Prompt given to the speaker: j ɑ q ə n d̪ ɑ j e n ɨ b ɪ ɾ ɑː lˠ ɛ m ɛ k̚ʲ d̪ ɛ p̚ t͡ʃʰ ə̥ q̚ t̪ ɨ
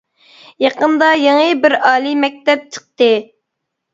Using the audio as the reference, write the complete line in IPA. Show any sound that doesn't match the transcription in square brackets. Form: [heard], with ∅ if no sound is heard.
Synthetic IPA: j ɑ q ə n d̪ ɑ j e [ŋ] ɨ b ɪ ɾ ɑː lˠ [i] m ɛ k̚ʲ [t̪] ɛ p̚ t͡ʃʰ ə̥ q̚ t̪ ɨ